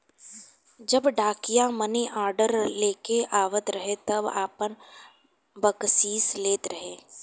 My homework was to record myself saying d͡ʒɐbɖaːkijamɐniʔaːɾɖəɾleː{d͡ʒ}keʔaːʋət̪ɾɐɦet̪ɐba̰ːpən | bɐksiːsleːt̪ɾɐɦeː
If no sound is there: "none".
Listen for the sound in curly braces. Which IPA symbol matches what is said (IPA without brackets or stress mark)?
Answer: none